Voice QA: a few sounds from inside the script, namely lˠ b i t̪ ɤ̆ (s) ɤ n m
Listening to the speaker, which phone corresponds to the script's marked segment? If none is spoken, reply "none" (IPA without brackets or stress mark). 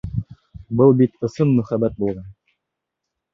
s